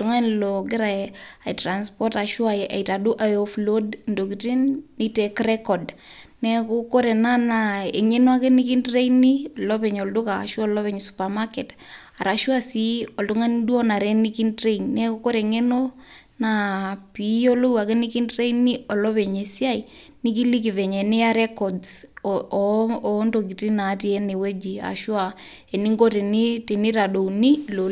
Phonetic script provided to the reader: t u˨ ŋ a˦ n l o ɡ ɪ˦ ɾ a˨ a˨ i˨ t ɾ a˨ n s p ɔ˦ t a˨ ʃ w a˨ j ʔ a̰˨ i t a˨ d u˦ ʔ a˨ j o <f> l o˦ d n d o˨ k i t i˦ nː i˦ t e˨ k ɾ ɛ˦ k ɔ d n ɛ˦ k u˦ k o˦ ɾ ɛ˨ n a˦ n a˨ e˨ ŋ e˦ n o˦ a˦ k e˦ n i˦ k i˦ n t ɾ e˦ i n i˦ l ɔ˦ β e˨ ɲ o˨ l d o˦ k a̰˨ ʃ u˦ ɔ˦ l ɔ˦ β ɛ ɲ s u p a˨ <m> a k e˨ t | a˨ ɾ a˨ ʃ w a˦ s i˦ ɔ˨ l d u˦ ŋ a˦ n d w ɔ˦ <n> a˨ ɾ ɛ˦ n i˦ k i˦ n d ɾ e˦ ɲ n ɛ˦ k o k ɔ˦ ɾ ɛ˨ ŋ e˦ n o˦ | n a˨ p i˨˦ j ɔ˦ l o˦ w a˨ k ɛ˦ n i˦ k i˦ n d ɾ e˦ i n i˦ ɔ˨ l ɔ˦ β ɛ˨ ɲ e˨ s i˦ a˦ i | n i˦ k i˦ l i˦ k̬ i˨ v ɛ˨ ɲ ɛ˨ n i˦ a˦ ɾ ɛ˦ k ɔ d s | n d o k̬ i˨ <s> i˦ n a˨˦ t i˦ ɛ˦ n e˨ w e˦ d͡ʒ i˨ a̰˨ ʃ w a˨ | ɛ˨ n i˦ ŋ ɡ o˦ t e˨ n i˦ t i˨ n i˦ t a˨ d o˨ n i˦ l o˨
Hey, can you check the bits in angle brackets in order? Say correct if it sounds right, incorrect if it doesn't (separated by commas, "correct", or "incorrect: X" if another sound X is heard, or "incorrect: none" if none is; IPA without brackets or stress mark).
correct, correct, correct, incorrect: t